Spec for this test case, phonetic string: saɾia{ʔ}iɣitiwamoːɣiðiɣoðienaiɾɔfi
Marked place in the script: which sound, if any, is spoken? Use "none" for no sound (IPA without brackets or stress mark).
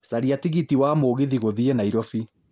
t